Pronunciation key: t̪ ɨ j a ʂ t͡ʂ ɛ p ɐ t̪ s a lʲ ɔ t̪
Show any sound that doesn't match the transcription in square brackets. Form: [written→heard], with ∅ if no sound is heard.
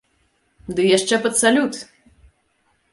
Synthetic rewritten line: [t̪→d̪] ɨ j a ʂ t͡ʂ ɛ p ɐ t̪ s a lʲ [ɔ→u] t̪